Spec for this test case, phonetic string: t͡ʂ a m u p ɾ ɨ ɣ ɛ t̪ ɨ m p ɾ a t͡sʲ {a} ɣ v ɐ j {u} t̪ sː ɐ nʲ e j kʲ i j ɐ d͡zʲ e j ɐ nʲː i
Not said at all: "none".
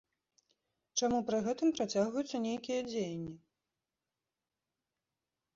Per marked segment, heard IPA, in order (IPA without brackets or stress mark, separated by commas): a, u